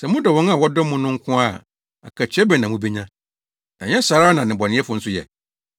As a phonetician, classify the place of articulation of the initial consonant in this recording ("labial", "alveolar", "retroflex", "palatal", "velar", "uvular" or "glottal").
alveolar